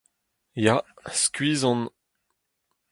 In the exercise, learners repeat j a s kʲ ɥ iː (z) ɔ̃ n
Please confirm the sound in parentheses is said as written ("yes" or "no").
yes